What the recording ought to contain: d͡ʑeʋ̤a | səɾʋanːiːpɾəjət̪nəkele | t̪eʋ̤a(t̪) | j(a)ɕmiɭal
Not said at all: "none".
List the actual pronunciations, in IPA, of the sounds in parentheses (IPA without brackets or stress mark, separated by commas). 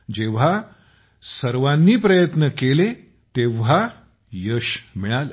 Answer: none, ə